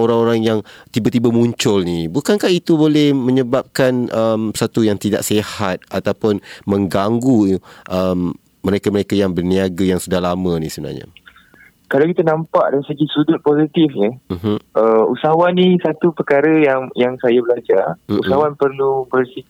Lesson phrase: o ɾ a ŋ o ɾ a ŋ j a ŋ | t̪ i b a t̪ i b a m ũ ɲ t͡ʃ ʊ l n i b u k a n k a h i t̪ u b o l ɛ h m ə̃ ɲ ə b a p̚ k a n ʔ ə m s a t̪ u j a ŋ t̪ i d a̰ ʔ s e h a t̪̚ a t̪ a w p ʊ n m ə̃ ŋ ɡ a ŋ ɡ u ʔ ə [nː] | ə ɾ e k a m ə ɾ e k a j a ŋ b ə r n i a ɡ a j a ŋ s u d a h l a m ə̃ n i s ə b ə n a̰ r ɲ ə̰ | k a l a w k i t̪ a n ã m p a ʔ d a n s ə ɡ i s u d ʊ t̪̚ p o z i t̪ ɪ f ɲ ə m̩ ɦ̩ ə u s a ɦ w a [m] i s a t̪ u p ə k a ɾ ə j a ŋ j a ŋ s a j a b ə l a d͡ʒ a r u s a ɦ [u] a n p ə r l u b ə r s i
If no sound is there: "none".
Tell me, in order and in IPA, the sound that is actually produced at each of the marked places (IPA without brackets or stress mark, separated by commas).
mː, n, w